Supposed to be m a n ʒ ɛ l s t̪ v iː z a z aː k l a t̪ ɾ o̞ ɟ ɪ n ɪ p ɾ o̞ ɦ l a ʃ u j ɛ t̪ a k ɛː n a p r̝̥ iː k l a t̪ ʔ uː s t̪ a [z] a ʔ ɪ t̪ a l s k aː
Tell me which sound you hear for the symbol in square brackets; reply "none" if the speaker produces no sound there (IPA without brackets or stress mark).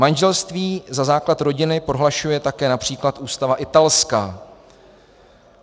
v